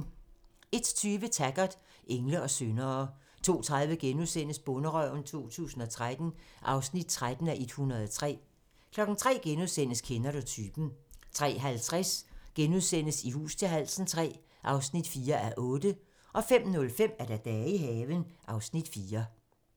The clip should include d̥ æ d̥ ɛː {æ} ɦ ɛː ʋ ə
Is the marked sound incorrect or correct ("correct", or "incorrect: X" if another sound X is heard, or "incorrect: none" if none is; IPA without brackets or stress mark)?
incorrect: i